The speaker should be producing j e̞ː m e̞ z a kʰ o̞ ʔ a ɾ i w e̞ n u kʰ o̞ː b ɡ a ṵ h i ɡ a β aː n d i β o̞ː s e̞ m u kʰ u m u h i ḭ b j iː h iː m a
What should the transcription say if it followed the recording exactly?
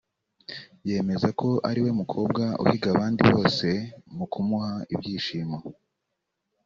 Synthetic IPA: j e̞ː m e̞ z a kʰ o̞ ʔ a ɾ i w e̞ m u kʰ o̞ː b ɡ a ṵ h i ɡ a β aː n d i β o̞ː s e̞ m u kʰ u m u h a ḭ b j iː ʃ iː m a